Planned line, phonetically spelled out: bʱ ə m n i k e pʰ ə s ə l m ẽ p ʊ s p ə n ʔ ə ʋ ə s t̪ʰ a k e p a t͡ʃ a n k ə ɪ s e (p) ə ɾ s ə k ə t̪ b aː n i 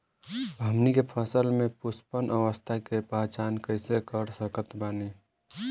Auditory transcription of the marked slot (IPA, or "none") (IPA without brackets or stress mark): k